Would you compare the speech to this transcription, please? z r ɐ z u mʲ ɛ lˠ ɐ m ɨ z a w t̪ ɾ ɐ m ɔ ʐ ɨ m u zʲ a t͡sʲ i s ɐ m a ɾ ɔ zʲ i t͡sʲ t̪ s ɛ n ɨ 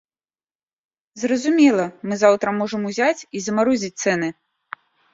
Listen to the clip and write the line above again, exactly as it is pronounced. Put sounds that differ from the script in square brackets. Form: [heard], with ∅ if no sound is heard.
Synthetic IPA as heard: z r ɐ z u mʲ ɛ lˠ ɐ m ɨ z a w t̪ ɾ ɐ m ɔ ʐ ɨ m u zʲ a t͡sʲ i [z] ɐ m a ɾ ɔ zʲ i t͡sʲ t̪ s ɛ n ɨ